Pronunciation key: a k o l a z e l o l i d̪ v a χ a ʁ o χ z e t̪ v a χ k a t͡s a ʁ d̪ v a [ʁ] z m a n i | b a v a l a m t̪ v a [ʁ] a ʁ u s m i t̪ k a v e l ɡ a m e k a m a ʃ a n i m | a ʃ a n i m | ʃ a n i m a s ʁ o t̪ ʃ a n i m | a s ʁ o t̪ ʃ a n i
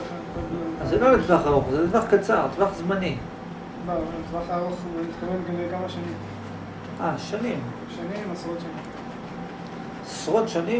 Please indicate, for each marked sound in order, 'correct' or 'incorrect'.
incorrect: χ, incorrect: χ

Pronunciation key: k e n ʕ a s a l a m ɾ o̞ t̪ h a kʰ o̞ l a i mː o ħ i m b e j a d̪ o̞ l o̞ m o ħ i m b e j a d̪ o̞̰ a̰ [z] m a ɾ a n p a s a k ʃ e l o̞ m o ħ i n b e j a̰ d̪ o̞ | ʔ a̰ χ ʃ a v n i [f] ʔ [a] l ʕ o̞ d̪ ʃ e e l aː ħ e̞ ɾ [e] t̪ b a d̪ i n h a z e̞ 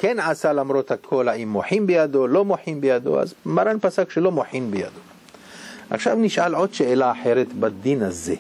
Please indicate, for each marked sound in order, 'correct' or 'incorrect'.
correct, incorrect: ʃ, correct, correct

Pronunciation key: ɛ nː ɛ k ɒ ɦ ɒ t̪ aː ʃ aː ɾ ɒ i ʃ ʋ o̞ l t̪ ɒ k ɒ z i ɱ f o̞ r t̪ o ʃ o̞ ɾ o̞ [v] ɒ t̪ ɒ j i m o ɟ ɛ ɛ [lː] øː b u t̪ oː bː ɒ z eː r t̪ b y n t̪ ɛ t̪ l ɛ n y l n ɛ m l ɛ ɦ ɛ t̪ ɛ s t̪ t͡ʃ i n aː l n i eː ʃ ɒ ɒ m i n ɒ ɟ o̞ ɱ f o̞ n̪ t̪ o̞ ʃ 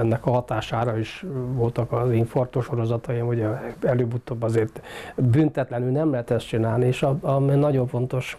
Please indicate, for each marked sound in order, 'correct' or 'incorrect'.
incorrect: z, incorrect: l

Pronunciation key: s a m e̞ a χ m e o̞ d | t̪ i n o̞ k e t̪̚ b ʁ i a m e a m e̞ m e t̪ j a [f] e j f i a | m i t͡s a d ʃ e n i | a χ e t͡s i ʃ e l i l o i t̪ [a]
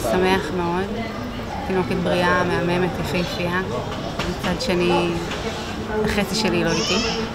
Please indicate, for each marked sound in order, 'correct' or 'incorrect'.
correct, incorrect: i

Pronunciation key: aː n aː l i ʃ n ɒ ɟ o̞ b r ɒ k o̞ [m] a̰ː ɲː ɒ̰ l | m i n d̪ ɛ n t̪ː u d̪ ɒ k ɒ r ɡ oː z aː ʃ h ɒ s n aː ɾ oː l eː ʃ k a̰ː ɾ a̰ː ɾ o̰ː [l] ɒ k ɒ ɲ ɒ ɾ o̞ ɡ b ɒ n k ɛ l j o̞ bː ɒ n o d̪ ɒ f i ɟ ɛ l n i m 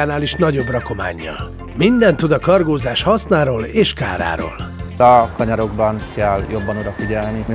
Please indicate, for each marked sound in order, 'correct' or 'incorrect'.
correct, correct

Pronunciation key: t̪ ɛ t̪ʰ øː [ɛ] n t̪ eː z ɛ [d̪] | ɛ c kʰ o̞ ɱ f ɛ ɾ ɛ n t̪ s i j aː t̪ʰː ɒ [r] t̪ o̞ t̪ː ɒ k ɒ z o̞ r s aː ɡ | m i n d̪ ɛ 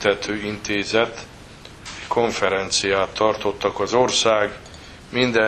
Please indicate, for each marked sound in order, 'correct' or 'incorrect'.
incorrect: i, incorrect: t̪, correct

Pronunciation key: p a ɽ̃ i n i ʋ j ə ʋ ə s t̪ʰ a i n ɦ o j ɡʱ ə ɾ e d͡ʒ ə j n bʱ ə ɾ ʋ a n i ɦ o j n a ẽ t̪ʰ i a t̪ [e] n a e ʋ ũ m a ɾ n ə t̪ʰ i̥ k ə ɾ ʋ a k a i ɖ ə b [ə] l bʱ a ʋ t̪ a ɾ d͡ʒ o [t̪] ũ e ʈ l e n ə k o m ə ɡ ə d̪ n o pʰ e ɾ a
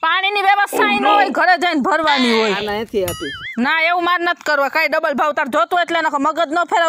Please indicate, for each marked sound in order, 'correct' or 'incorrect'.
incorrect: i, correct, correct

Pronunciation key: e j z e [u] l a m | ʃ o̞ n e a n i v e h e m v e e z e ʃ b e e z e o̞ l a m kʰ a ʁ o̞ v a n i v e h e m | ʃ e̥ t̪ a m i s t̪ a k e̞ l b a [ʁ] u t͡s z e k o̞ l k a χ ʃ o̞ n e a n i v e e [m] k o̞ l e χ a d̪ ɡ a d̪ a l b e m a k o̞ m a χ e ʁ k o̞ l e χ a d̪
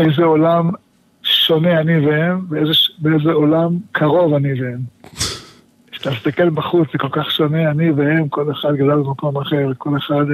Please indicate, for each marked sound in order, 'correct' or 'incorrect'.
incorrect: o, incorrect: χ, correct

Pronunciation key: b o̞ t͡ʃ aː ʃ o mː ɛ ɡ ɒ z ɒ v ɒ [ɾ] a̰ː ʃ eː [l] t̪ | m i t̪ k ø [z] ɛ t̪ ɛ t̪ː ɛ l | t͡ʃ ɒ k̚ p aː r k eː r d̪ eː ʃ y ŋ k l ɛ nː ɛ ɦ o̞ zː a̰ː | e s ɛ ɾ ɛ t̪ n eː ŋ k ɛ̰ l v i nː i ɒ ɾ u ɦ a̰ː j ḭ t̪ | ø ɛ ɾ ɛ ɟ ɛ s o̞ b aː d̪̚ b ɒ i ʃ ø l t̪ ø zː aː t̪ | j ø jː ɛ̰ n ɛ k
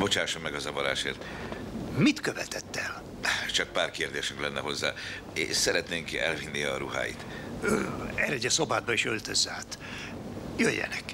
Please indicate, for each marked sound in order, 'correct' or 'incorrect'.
correct, incorrect: r, incorrect: v

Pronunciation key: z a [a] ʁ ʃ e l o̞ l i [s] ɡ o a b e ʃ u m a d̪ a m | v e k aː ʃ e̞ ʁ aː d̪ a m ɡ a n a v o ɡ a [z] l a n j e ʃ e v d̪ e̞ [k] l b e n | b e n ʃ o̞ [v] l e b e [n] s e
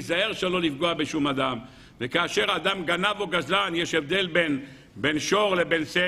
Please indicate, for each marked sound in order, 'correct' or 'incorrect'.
incorrect: e, incorrect: f, correct, incorrect: none, incorrect: ʁ, correct

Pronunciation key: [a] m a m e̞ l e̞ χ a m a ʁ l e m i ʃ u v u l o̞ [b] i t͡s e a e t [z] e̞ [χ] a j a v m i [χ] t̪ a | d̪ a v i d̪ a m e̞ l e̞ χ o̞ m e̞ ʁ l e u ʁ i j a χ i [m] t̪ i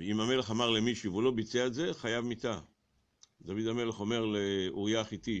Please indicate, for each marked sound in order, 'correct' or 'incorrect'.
incorrect: i, correct, correct, correct, incorrect: none, incorrect: none

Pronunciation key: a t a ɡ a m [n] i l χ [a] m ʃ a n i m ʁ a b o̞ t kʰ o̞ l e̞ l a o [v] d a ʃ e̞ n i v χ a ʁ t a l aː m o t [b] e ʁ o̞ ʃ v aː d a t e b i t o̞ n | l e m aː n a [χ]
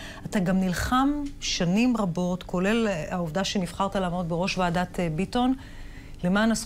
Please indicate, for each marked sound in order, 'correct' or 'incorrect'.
correct, correct, correct, correct, incorrect: s

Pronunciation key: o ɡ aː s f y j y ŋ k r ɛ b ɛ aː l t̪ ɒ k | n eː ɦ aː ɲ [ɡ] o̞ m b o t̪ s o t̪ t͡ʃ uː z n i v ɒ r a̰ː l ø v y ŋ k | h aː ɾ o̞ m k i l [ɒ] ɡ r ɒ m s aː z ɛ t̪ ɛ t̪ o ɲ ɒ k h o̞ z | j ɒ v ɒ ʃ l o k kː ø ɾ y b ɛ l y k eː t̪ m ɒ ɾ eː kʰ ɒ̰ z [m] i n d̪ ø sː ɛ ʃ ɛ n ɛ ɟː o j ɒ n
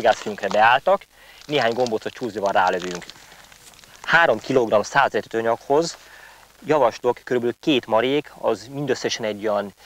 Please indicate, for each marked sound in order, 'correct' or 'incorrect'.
correct, incorrect: o, correct

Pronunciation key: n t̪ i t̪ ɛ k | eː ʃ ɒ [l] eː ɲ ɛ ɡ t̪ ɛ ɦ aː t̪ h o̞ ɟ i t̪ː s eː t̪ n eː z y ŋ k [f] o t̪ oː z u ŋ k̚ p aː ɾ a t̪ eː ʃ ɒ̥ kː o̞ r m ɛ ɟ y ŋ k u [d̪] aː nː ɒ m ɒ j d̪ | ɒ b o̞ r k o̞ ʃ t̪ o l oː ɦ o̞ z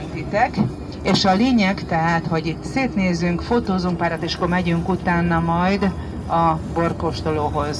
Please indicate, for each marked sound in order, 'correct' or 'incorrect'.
correct, correct, incorrect: t̪

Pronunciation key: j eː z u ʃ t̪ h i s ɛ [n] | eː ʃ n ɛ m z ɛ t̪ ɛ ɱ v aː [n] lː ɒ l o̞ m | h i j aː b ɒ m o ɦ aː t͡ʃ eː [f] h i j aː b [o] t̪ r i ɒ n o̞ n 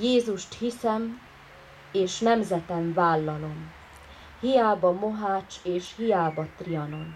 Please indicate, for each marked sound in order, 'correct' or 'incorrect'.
incorrect: m, incorrect: none, incorrect: ʃ, incorrect: ɒ

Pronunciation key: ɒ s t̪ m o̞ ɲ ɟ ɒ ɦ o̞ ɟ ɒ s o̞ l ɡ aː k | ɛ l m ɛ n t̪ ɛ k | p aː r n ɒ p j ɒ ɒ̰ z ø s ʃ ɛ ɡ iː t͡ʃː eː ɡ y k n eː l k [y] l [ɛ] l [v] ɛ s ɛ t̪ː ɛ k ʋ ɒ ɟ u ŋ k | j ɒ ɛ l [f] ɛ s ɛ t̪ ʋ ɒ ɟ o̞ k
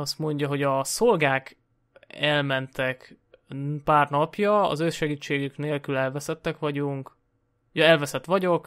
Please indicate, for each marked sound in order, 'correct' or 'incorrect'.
correct, correct, correct, incorrect: v

